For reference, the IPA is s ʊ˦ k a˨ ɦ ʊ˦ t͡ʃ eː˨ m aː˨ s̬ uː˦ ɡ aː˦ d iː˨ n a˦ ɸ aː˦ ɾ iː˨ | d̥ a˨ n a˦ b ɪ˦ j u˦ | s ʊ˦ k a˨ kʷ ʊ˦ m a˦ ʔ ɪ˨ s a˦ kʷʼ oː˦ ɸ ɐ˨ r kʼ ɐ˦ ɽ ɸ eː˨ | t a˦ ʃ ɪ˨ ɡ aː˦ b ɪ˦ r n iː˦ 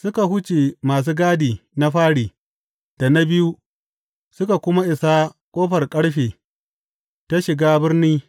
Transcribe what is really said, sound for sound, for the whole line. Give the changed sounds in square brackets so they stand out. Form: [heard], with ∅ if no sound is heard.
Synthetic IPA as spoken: s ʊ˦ k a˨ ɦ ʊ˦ t͡ʃ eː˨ m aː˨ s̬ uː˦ ɡ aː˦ d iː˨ n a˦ ɸ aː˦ [ɽ] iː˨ | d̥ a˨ n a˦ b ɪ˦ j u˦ | s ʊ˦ k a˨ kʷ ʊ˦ m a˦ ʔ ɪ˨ s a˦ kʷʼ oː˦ ɸ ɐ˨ r kʼ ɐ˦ ɽ ɸ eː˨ | t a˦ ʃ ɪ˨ ɡ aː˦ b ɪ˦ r n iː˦